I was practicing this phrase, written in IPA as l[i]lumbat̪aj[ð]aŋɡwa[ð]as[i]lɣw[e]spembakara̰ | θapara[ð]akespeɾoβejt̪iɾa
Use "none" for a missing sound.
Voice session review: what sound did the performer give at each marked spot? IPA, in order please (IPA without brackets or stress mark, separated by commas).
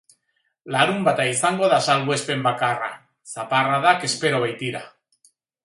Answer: a, θ, ð, a, e, ð